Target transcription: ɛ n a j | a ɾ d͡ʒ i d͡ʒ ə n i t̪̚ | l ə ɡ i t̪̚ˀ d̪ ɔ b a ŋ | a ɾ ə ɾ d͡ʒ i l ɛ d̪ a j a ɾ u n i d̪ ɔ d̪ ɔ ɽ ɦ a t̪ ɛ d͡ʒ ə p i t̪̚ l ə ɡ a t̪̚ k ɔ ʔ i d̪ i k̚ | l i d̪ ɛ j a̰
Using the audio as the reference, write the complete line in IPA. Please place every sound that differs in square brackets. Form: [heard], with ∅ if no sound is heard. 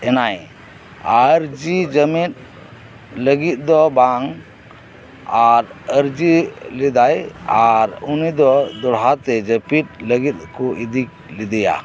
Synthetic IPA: ɛ n a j | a ɾ d͡ʒ i d͡ʒ ə [m] i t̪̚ | l ə ɡ i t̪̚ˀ d̪ ɔ b a ŋ | a ɾ ə ɾ d͡ʒ i l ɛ d̪ a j a ɾ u n i d̪ ɔ d̪ ɔ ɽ ɦ a t̪ ɛ d͡ʒ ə p i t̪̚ l ə ɡ [i] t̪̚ k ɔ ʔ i d̪ i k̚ | l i d̪ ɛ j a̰

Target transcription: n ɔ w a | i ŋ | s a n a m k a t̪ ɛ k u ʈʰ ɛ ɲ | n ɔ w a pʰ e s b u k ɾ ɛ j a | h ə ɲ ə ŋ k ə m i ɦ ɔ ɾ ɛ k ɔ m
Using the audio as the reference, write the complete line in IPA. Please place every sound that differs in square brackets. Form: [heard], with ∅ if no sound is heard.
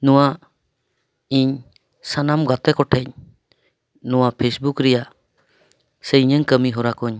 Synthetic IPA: n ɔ w a | i [ɲ] | s a n a m [ɡ] a t̪ ɛ k [ɔ] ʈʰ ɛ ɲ | n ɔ w a pʰ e s b u k ɾ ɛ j a | [s] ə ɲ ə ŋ k ə m i ɦ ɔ ɾ [a] k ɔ [ɲ]

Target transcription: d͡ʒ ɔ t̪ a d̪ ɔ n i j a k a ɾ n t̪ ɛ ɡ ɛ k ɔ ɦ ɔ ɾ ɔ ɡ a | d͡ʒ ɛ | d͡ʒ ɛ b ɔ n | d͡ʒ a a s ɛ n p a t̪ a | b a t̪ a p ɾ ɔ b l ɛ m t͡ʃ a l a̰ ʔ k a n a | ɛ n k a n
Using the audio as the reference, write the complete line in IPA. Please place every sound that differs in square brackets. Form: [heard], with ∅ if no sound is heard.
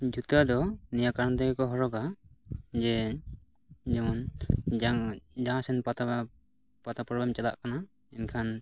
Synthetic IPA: d͡ʒ [u] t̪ a d̪ ɔ n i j a k a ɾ n t̪ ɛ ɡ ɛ k ɔ ɦ ɔ ɾ ɔ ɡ a | d͡ʒ ɛ | d͡ʒ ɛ [m] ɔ n | d͡ʒ a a s ɛ n p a t̪ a | [p] a t̪ a p ɾ ɔ b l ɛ m t͡ʃ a l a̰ ʔ k a n a | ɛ n [kʰ] a n

